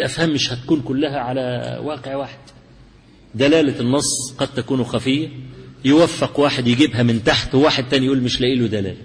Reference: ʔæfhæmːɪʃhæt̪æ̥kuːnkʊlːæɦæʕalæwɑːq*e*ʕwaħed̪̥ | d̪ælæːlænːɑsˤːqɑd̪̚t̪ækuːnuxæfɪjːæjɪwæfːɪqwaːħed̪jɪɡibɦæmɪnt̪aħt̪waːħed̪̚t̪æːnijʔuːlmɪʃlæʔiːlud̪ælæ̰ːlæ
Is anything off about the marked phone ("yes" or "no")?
no